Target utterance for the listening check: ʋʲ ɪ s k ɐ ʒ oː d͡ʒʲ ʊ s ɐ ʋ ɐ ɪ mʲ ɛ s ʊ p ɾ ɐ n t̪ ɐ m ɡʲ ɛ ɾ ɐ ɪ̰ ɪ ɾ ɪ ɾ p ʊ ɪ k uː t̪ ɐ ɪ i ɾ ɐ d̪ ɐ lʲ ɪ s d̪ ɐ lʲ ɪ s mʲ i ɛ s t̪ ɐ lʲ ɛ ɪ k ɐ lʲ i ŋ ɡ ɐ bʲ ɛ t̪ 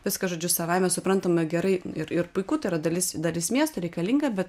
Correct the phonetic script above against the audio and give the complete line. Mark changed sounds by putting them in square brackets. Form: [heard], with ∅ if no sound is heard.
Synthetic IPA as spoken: ʋʲ ɪ s k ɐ ʒ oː d͡ʒʲ ʊ s ɐ ʋ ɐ ɪ mʲ ɛ s ʊ p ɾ ɐ n t̪ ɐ m ɡʲ ɛ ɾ ɐ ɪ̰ ɪ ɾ ɪ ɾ p ʊ ɪ k uː t̪ ɐ ɪ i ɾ ɐ d̪ ɐ lʲ ɪ s d̪ ɐ lʲ ɪ s mʲ i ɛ s t̪ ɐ [ɾʲ] ɛ ɪ k ɐ lʲ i ŋ ɡ ɐ bʲ ɛ t̪